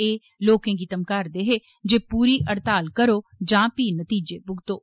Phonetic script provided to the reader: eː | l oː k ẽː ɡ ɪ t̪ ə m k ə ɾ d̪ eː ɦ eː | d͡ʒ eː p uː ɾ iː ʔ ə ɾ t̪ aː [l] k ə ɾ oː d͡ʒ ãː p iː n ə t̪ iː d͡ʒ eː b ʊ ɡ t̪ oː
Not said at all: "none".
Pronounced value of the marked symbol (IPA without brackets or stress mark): l